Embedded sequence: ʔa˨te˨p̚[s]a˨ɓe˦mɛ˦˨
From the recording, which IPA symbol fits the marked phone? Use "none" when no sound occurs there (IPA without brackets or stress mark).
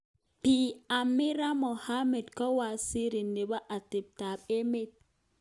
t